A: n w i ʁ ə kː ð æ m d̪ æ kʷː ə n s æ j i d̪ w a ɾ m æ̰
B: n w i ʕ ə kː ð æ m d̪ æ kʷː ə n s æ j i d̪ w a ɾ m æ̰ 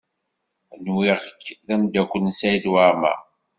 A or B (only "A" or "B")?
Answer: A